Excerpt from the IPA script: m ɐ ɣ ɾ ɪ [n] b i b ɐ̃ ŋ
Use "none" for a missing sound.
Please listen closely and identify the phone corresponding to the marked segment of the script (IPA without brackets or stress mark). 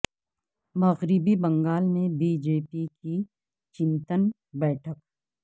none